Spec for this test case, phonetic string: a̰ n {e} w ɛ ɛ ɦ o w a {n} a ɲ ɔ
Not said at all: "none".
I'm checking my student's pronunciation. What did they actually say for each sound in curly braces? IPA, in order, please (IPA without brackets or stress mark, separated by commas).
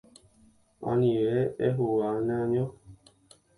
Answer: i, n